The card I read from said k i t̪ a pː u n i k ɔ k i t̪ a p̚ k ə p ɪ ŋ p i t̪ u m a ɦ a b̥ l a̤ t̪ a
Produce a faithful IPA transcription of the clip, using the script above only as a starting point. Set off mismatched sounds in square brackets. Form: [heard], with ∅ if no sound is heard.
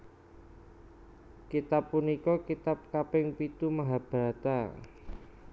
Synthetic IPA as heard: k i t̪ a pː u n i k ɔ k i t̪ a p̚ k [a] p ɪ ŋ p i t̪ u m a ɦ a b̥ [ɾ] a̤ t̪ a